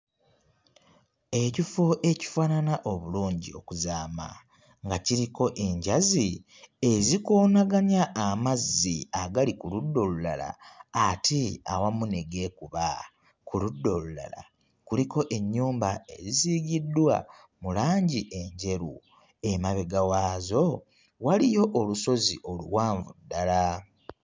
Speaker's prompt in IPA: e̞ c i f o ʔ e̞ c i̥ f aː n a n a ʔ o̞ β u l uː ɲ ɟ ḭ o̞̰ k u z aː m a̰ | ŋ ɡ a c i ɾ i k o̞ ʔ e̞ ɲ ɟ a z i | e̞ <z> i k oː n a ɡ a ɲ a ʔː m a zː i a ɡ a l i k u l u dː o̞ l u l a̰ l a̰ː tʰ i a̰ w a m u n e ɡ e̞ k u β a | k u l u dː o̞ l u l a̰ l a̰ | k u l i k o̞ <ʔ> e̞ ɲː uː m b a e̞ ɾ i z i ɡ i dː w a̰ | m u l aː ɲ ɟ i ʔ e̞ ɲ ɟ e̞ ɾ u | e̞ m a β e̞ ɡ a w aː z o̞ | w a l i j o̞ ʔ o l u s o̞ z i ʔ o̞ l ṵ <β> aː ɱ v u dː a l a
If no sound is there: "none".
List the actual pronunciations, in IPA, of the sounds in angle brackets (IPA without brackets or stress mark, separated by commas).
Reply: z, ʔ, w